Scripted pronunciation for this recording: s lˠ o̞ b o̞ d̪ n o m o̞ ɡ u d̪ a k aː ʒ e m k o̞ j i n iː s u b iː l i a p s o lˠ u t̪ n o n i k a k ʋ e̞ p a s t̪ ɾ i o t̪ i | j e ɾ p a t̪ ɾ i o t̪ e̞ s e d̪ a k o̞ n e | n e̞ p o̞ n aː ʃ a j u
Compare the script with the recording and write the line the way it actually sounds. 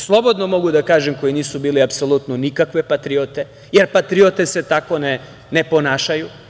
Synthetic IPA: s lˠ o̞ b o̞ d̪ n o m o̞ ɡ u d̪ a k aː ʒ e m k o̞ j i n iː s u b iː l i a p s o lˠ u t̪ n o n i k a k ʋ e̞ p a t̪ ɾ i o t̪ e | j e ɾ p a t̪ ɾ i o t̪ e̞ s e t̪ a k o̞ n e | n e̞ p o̞ n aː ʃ a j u

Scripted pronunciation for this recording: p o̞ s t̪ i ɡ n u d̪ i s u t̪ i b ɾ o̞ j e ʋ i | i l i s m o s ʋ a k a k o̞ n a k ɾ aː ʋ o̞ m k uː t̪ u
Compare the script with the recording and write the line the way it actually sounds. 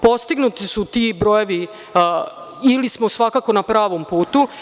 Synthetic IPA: p o̞ s t̪ i ɡ n u t̪ i s u t̪ i b ɾ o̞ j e ʋ i | i l i s m o s ʋ a k a k o̞ n a p ɾ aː ʋ o̞ m p uː t̪ u

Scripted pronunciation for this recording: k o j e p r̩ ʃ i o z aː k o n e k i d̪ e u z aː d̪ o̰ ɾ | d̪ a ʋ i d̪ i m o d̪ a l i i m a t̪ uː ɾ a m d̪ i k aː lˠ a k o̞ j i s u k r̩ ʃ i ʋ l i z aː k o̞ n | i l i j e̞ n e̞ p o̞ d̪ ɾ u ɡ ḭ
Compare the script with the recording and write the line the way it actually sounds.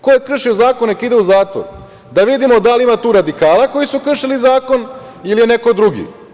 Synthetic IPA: k o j e k r̩ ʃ i o z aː k o n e k i d̪ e u z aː t̪ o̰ ɾ | d̪ a ʋ i d̪ i m o d̪ a l i i m a t̪ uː ɾ a d̪ i k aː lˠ a k o̞ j i s u k r̩ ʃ i l i z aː k o̞ n | i l i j e̞ n e̞ k o̞ d̪ ɾ u ɡ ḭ

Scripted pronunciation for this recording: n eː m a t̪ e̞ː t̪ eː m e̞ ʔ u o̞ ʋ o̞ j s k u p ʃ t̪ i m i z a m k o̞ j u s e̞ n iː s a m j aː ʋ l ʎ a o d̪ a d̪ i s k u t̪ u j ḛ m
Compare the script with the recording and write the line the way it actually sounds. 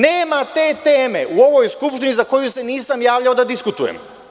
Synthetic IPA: n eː m a t̪ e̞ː t̪ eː m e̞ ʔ u o̞ ʋ o̞ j s k u p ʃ t̪ i n i z a k o̞ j u s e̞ n iː s a m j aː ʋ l ʎ a o d̪ a d̪ i s k u t̪ u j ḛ m

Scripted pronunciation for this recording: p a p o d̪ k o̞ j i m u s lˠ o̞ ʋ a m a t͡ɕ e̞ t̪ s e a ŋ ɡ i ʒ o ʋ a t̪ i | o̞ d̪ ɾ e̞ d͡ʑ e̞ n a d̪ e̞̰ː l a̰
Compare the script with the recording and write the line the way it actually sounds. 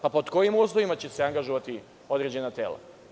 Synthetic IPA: p a p o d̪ k o̞ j i m u s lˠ o̞ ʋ i m a t͡ɕ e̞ s e a ŋ ɡ a ʒ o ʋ a t̪ i | o̞ d̪ ɾ e̞ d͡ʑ e̞ n a t̪ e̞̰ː l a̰

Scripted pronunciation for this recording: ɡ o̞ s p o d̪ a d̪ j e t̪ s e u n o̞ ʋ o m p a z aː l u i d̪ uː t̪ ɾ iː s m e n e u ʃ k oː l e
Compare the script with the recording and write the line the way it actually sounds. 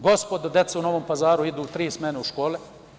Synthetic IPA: ɡ o̞ s p o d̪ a d̪ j e t̪ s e u n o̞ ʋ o m p a z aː ɾ u i d̪ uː t̪ ɾ iː s m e n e u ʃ k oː l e

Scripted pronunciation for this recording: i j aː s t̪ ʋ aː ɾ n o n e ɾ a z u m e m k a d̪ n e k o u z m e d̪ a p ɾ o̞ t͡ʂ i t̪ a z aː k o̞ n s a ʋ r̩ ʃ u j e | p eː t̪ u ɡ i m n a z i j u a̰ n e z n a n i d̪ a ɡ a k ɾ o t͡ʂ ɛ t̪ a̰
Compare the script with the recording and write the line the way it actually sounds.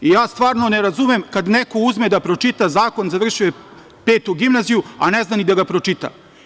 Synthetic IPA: i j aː s t̪ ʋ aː ɾ n o n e ɾ a z u m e m k a d̪ n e k o u z m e d̪ a p ɾ o̞ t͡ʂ i t̪ a z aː k o̞ n z a ʋ r̩ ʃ u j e | p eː t̪ u ɡ i m n a z i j u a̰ n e z n a n i d̪ a ɡ a p ɾ o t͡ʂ i t̪ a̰

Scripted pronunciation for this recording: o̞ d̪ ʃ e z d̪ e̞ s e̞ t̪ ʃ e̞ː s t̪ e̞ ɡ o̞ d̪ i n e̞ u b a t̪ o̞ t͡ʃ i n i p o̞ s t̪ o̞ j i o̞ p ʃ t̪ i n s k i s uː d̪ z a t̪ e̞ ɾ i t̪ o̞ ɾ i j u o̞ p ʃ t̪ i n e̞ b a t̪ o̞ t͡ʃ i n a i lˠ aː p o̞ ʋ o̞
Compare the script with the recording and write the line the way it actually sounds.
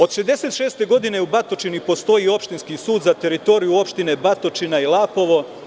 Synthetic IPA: o̞ d̪ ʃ e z d̪ e̞ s e̞ t̪ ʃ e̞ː s t̪ e̞ ɡ o̞ d̪ i n e̞ u b a t̪ o̞ t͡ʃ i n i p o̞ s t̪ o̞ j i o̞ p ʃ t̪ i n s k i s uː d̪ z a t̪ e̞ ɾ i t̪ o̞ ɾ i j u o̞ p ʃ t̪ i n e̞ b a t̪ o̞ t͡ʃ i n a i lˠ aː p o̞ ʋ o̞

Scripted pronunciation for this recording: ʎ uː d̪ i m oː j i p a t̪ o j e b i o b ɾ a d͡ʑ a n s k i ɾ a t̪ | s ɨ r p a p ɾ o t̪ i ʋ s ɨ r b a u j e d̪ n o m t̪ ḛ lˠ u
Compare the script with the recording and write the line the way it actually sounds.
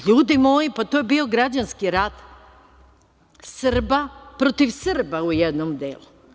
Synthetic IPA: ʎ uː d̪ i m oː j i p a t̪ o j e b i o ɡ ɾ a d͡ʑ a n s k i ɾ a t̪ | s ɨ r b a p ɾ o t̪ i ʋ s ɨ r b a u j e d̪ n o m d̪ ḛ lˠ u

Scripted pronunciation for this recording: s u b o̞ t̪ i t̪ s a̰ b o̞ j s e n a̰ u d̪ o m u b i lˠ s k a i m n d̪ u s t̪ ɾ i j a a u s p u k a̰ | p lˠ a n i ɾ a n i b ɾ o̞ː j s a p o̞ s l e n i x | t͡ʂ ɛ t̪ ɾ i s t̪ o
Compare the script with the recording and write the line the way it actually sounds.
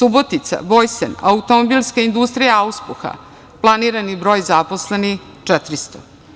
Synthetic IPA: s u b o̞ t̪ i t̪ s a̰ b o̞ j s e n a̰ u t̪ o m o b i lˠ s k a i n d̪ u s t̪ ɾ i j a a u s p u x a̰ | p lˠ a n i ɾ a n i b ɾ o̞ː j z a p o̞ s l e n i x | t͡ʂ ɛ t̪ ɾ i s t̪ o

